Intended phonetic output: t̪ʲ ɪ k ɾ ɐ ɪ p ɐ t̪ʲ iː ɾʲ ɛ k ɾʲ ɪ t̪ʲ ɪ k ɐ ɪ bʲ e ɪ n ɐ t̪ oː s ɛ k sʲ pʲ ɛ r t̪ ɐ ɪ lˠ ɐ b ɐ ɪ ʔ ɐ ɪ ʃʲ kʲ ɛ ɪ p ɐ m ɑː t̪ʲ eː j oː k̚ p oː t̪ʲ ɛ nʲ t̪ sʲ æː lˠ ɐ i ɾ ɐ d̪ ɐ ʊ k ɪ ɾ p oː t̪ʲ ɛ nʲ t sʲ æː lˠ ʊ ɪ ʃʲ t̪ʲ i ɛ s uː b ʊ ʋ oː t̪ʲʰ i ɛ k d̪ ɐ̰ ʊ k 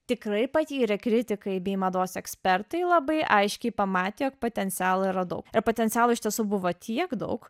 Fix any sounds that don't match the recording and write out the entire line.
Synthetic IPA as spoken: t̪ʲ ɪ k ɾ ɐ ɪ p ɐ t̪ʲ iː ɾʲ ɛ k ɾʲ ɪ t̪ʲ ɪ k ɐ ɪ bʲ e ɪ m ɐ d̪ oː s ɛ k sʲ pʲ ɛ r t̪ ɐ ɪ lˠ ɐ b ɐ ɪ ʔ ɐ ɪ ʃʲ kʲ ɛ ɪ p ɐ m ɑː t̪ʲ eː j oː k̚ p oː t̪ʲ ɛ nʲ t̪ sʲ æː lˠ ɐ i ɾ ɐ d̪ ɐ ʊ k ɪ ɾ p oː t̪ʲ ɛ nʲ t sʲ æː lˠ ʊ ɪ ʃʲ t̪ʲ i ɛ s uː b ʊ ʋ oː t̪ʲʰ i ɛ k d̪ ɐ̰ ʊ k